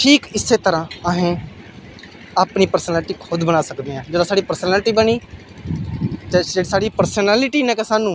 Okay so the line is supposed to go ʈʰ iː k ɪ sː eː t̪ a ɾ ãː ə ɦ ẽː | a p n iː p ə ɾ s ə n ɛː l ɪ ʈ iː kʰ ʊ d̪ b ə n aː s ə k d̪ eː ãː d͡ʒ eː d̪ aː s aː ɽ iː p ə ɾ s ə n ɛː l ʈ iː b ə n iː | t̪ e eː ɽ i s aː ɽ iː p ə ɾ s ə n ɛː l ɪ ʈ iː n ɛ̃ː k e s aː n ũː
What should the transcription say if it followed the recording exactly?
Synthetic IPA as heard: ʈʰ iː k ɪ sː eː t̪ ə ɾ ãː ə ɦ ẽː | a p n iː p ə ɾ s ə n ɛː l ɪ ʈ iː kʰ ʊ d̪ b ə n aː s ə k d̪ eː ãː d͡ʒ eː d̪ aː s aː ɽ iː p ə ɾ s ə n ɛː l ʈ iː b ə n iː | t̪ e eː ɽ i s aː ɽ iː p ə ɾ s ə n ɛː l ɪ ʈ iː n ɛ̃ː k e s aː n ũː